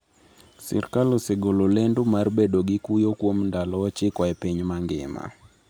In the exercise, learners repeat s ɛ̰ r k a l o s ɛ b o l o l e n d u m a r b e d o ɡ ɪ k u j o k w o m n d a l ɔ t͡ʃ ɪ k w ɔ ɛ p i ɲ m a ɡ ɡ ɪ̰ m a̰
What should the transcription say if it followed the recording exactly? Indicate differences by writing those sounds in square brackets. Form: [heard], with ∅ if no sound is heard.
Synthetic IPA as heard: s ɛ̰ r k a l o s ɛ [ɡ] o l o l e n d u m a r b e d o ɡ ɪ k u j o k w o m n d a l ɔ t͡ʃ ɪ k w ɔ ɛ p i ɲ m a [ŋ] ɡ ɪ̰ m a̰